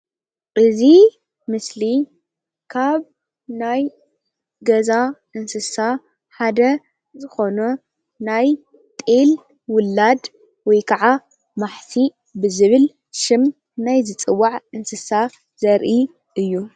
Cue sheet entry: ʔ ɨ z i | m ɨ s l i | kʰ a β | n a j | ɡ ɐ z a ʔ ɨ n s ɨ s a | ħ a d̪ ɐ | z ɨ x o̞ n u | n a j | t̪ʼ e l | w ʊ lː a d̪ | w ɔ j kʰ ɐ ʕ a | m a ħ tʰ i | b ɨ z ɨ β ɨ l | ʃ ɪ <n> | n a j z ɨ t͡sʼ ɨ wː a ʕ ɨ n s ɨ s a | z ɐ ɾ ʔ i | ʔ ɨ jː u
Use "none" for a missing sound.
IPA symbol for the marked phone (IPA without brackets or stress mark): m